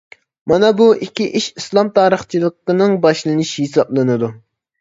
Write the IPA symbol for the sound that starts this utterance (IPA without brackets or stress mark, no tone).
m